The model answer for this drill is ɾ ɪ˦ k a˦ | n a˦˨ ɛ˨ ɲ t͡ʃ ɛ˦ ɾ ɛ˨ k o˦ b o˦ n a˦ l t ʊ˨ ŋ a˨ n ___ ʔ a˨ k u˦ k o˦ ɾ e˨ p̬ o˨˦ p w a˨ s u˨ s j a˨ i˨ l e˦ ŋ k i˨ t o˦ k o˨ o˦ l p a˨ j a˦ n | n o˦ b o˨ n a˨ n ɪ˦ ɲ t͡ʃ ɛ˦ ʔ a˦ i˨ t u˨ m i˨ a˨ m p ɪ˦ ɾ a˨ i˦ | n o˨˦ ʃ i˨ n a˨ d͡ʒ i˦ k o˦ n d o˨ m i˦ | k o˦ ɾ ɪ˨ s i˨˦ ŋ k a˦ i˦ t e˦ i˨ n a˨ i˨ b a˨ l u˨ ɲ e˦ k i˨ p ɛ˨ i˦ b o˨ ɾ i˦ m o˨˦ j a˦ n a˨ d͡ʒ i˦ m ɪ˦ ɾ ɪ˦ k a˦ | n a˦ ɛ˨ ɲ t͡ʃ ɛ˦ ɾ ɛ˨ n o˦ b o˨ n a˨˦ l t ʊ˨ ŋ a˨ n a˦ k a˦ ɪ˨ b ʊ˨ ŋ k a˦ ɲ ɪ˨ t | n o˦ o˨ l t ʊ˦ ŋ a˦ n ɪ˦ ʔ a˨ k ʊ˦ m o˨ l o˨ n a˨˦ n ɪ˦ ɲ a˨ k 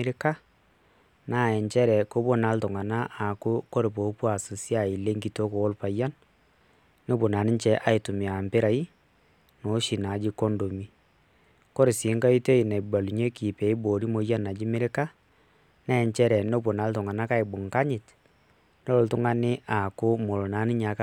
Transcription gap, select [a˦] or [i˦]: a˦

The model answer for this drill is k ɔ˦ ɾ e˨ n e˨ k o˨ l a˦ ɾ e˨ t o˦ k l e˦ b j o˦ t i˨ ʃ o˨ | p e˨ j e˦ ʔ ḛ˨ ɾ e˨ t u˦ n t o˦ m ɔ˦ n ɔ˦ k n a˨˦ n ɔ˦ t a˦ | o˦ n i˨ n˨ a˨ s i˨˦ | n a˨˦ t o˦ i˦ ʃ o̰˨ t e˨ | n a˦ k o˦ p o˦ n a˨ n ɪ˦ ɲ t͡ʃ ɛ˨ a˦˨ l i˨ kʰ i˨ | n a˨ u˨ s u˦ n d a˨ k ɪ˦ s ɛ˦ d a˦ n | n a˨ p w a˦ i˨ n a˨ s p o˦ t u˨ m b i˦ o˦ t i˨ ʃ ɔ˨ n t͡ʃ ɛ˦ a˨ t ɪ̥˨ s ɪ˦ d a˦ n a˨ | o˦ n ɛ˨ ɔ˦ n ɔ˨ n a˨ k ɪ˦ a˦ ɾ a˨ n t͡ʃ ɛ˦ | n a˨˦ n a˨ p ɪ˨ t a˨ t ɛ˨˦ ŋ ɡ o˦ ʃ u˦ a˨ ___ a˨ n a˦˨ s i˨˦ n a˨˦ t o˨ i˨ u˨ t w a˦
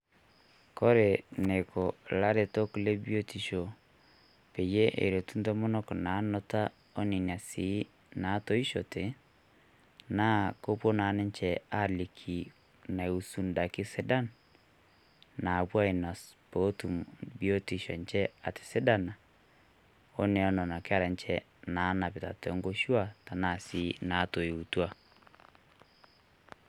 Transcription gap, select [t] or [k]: t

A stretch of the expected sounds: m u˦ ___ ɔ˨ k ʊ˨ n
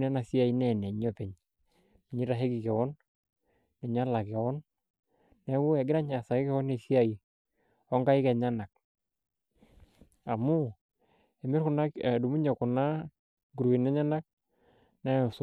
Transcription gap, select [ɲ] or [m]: ɲ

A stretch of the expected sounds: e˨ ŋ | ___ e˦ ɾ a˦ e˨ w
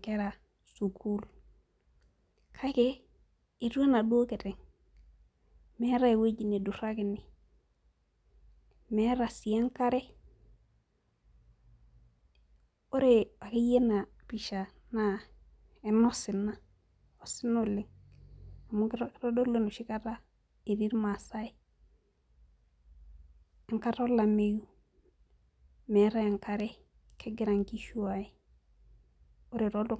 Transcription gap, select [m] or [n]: m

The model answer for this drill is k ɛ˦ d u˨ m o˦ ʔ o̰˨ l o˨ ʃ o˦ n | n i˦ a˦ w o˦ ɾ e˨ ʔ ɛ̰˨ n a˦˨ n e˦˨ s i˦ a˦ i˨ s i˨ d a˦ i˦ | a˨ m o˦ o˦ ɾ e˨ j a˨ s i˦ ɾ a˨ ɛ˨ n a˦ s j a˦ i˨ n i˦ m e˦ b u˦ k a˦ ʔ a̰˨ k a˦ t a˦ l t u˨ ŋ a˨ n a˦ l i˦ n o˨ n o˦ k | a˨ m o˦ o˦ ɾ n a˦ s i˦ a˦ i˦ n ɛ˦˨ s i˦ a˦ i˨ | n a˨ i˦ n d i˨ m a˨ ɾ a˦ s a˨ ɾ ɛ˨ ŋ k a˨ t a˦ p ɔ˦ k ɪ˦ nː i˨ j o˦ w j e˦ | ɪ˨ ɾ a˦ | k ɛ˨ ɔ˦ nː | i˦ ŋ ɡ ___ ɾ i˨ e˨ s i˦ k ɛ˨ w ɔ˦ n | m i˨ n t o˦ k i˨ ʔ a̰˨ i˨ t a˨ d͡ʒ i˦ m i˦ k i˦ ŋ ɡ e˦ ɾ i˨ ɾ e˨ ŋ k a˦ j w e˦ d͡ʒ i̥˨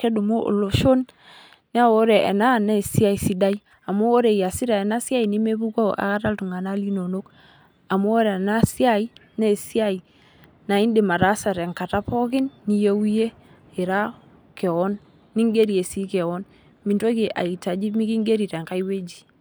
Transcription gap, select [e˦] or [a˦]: e˦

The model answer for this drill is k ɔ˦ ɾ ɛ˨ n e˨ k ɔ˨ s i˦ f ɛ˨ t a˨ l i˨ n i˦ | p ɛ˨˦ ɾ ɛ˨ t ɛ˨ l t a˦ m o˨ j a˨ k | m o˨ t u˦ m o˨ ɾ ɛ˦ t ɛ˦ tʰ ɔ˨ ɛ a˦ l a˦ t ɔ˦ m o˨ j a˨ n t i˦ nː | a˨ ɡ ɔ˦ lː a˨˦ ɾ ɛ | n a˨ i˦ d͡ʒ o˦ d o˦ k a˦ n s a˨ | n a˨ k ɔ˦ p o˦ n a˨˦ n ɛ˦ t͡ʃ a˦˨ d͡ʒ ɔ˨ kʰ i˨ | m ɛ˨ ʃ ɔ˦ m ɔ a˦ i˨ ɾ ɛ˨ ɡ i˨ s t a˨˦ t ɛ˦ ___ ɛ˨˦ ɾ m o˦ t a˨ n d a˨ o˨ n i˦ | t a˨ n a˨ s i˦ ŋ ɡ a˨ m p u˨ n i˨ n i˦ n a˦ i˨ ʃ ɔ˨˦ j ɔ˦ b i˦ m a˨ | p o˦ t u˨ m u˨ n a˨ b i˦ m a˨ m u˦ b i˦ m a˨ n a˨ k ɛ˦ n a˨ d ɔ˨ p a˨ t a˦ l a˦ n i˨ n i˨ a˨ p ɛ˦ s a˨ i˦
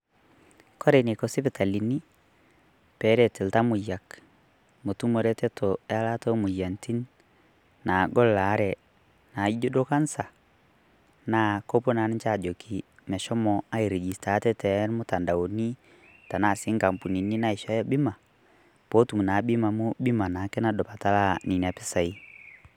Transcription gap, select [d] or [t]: t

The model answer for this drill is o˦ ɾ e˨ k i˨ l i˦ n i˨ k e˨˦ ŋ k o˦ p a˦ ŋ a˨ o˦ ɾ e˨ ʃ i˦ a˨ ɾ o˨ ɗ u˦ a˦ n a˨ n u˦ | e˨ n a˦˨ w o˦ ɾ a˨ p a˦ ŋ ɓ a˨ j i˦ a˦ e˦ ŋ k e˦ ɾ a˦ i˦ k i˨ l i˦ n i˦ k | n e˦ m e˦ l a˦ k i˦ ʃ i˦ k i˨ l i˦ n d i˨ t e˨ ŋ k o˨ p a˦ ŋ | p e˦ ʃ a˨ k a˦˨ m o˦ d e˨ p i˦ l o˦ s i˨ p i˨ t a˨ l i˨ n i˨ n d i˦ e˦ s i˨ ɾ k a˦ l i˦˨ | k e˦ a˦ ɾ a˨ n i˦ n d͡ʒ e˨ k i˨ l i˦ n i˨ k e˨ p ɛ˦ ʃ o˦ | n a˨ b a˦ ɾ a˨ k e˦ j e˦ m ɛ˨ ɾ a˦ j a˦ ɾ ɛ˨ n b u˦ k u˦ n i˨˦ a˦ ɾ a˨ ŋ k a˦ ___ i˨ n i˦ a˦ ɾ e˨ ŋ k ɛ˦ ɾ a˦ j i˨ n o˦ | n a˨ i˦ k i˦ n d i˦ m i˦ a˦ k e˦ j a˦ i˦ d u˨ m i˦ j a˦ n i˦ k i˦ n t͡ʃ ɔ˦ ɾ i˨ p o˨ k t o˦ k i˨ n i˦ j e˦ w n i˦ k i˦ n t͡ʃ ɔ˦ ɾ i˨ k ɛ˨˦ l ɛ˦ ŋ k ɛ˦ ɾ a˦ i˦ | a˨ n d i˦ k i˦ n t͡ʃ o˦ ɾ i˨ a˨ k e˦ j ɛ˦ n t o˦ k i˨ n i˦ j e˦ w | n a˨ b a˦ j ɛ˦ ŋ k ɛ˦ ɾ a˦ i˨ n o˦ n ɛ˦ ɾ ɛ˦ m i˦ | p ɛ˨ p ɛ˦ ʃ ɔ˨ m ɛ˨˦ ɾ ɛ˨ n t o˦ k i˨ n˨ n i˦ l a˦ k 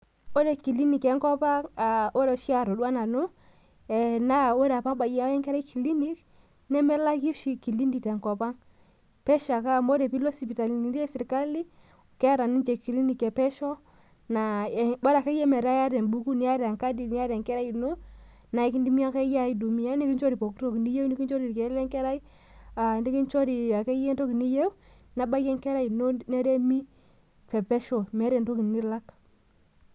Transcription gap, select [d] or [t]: d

